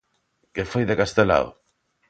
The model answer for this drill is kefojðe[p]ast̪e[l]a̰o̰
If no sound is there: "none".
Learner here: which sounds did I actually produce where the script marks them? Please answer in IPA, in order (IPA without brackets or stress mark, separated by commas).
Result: k, l